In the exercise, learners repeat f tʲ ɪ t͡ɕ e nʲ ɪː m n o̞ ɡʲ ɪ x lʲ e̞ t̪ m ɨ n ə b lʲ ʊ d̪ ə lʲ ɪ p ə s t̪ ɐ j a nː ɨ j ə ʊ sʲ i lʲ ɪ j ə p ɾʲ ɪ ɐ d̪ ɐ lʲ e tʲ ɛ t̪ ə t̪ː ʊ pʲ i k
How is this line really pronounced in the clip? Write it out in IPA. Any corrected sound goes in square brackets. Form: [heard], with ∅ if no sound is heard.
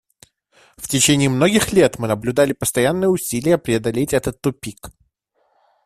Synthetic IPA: f tʲ ɪ t͡ɕ e nʲ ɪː m n o̞ ɡʲ ɪ x lʲ e̞ t̪ m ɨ n ə b lʲ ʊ d̪ [a] lʲ ɪ p ə s t̪ ɐ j a nː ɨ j ə ʊ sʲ i lʲ ɪ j ə p ɾʲ ɪ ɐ d̪ ɐ lʲ e tʲ ɛ t̪ ə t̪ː ʊ pʲ i k

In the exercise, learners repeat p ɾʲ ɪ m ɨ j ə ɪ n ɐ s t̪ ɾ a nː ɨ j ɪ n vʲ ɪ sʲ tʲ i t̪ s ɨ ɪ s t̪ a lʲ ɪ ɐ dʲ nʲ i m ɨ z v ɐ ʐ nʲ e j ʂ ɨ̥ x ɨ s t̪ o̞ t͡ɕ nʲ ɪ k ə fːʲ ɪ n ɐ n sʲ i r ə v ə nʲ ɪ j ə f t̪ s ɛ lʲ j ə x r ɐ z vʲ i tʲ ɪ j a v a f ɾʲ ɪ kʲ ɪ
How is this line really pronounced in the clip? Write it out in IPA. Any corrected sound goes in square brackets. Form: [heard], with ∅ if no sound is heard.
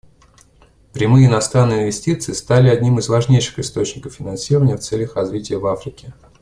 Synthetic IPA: p ɾʲ ɪ m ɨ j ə ɪ n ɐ s t̪ ɾ a nː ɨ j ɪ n vʲ ɪ sʲ tʲ i t̪ s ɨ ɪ s t̪ a lʲ ɪ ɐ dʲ nʲ i m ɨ z v ɐ ʐ nʲ e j ʂ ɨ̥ x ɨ s t̪ o̞ t͡ɕ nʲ ɪ k ə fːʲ ɪ n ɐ n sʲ i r ə v ə nʲ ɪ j ə f t̪ s ɛ lʲ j ə x r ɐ z vʲ i tʲ ɪ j [ə] v a f ɾʲ ɪ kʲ ɪ

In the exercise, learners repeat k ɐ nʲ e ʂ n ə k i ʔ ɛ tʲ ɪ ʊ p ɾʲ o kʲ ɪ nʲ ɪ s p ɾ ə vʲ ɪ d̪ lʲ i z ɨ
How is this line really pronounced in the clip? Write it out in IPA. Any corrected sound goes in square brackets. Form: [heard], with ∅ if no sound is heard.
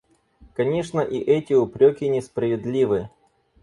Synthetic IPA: k ɐ nʲ e ʂ n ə [ʔ] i ʔ ɛ tʲ ɪ ʊ p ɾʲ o kʲ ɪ nʲ ɪ s p ɾ ə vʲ ɪ d̪ lʲ i [v] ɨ

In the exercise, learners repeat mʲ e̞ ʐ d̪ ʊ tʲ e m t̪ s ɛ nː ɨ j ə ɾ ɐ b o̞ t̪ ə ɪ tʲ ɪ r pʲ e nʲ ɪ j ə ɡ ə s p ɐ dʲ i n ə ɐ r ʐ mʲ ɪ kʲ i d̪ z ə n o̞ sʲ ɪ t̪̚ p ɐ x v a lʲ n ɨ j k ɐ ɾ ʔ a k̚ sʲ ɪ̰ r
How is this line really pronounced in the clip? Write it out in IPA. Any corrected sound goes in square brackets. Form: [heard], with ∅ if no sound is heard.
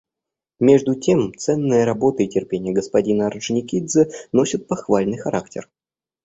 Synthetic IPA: mʲ e̞ ʐ d̪ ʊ tʲ e m t̪ s ɛ nː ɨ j ə ɾ ɐ b o̞ t̪ ə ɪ tʲ ɪ r pʲ e nʲ ɪ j ə ɡ ə s p ɐ dʲ i n ə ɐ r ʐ [nʲ] ɪ kʲ i d̪ z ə n o̞ sʲ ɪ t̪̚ p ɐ x v a lʲ n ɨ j [x] ɐ ɾ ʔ a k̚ [tʲ] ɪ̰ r

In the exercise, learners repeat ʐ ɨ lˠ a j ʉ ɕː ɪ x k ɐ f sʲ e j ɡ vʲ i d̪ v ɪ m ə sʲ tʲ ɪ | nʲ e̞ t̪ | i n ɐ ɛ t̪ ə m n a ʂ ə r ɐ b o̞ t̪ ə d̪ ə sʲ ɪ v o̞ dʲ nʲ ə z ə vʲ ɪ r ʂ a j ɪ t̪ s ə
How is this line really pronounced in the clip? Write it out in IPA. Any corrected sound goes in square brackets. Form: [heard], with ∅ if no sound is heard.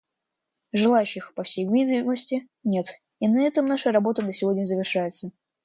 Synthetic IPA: ʐ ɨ lˠ a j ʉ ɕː ɪ x [p] ɐ f sʲ e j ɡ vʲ i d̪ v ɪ m ə sʲ tʲ ɪ | nʲ e̞ t̪ | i n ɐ ɛ t̪ ə m n a ʂ ə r ɐ b o̞ t̪ ə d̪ ə sʲ ɪ v o̞ dʲ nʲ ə z ə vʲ ɪ r ʂ a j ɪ t̪ s ə

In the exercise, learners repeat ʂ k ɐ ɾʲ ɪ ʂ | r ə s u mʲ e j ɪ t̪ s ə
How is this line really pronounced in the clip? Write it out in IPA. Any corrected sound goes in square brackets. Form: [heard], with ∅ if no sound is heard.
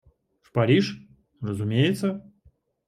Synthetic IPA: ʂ [p] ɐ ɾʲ [i] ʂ | r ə [z] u mʲ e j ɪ t̪ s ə

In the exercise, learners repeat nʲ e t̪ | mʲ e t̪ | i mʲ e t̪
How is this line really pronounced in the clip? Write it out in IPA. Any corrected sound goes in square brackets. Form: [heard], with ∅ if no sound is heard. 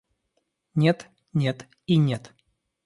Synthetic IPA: nʲ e t̪ | [nʲ] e t̪ | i [nʲ] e t̪

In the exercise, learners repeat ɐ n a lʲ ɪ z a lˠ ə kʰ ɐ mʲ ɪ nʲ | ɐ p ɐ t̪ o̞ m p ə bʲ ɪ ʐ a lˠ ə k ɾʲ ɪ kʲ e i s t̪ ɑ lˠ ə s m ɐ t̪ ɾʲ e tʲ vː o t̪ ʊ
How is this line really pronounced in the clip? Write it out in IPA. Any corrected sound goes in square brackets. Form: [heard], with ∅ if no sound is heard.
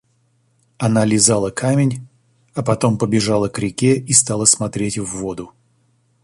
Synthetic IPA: ɐ n a lʲ ɪ z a lˠ ə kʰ [a] mʲ ɪ nʲ | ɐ p ɐ t̪ o̞ m p ə bʲ ɪ ʐ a lˠ ə k ɾʲ ɪ kʲ e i s t̪ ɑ lˠ ə s m ɐ t̪ ɾʲ e tʲ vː o [d̪] ʊ

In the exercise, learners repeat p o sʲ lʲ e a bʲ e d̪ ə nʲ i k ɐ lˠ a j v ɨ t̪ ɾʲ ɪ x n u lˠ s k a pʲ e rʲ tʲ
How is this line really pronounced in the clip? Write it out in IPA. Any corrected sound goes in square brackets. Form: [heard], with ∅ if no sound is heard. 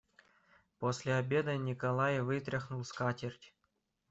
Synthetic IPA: p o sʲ lʲ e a bʲ e d̪ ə nʲ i k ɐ lˠ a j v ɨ t̪ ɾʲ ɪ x n u lˠ s k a [tʲ] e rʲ tʲ

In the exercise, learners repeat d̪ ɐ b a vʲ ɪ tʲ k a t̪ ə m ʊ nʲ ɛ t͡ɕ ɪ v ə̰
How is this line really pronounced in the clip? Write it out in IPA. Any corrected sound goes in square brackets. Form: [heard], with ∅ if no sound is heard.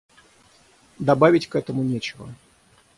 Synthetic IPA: d̪ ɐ b a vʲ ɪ tʲ k [ɛ] t̪ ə m ʊ nʲ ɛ t͡ɕ ɪ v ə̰

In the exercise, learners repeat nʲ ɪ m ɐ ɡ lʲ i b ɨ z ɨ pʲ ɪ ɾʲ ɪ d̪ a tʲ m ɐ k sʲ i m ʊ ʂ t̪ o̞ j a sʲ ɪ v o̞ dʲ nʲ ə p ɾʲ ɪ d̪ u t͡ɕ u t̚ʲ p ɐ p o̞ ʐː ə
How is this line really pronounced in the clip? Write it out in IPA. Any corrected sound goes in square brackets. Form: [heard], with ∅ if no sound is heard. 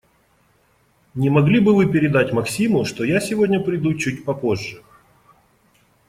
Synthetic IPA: nʲ ɪ m ɐ ɡ lʲ i b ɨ [v] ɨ pʲ ɪ ɾʲ ɪ d̪ a tʲ m ɐ k sʲ i m ʊ ʂ t̪ o̞ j a sʲ ɪ v o̞ dʲ nʲ ə p ɾʲ ɪ d̪ u t͡ɕ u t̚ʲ p ɐ p o̞ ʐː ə

